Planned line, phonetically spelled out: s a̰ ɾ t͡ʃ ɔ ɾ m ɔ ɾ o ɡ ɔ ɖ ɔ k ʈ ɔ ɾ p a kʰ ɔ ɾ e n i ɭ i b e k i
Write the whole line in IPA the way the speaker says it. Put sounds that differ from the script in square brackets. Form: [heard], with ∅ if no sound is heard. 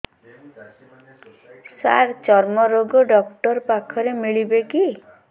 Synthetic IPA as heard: s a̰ ɾ t͡ʃ ɔ ɾ m ɔ ɾ o ɡ ɔ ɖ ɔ k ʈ ɔ ɾ p a kʰ ɔ ɾ e [m] i ɭ i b e k i